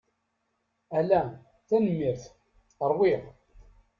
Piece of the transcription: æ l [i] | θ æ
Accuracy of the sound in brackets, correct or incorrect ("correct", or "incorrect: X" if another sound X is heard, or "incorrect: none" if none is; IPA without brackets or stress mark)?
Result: incorrect: æ